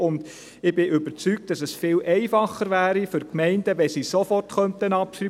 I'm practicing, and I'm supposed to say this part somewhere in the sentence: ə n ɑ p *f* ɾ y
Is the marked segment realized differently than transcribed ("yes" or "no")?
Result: yes